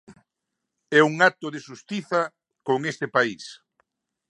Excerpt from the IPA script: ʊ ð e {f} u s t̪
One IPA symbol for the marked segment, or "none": ʃ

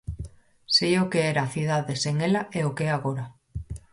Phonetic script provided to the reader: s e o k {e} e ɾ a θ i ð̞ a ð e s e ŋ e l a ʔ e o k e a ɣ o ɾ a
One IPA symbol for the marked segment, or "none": e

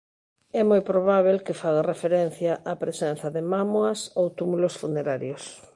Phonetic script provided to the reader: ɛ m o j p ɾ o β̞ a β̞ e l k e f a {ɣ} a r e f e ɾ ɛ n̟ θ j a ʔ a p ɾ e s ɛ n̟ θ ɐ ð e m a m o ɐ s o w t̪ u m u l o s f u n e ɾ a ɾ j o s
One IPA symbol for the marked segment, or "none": ɣ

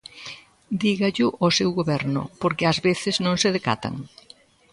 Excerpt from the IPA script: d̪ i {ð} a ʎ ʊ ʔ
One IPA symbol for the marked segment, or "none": ɣ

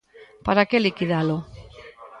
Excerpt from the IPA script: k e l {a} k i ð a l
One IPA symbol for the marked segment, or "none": i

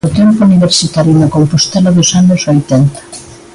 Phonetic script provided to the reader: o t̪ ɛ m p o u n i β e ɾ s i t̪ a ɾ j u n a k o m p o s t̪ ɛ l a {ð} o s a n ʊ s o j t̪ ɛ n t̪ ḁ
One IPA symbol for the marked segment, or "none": ð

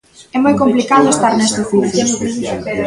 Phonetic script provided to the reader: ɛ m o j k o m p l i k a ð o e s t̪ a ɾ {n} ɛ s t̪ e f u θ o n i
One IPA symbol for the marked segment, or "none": n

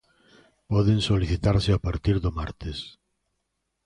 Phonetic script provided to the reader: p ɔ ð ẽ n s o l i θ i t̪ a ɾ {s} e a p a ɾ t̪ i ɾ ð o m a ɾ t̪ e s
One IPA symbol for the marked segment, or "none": s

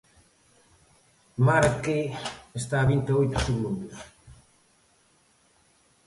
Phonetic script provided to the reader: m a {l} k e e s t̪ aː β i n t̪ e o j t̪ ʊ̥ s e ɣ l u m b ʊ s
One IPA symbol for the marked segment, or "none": ɾ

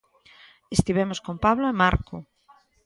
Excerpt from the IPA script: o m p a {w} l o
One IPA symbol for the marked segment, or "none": β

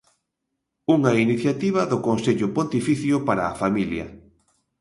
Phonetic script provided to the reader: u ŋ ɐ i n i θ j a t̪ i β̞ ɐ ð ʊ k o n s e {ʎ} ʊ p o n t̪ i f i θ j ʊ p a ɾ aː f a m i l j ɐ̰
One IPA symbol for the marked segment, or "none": ʎ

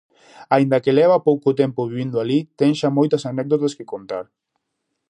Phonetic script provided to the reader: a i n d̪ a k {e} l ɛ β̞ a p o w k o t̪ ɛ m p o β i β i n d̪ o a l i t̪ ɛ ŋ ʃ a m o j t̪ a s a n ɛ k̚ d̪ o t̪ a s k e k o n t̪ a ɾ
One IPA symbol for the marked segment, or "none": e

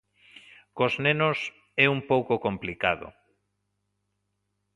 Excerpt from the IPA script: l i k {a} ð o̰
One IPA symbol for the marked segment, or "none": a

